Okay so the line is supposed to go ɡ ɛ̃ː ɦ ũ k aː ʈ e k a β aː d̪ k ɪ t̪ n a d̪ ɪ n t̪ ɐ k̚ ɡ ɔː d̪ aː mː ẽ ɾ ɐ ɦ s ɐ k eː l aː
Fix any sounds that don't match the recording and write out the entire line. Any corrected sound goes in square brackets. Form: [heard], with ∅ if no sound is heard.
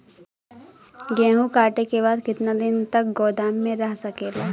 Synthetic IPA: ɡ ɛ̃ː ɦ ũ k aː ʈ e k [e] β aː d̪ k ɪ t̪ n a d̪ ɪ n t̪ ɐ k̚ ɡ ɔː d̪ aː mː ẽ ɾ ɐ ɦ s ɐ k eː l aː